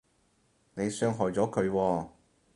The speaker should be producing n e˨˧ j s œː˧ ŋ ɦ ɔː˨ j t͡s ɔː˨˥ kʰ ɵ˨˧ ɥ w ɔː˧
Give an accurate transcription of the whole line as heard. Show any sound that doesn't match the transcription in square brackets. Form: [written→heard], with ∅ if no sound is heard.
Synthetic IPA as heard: n e˨˧ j s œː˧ ŋ ɦ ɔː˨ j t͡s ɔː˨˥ kʰ ɵ˨˧ ɥ w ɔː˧